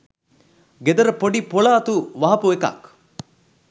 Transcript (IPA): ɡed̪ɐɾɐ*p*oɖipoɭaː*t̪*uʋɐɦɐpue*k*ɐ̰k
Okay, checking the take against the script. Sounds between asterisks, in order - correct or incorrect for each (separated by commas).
correct, correct, correct